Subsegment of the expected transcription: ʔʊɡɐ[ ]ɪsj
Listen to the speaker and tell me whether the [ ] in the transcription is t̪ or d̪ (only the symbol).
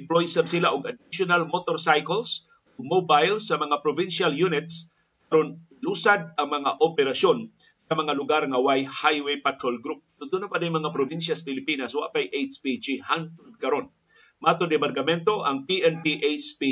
d̪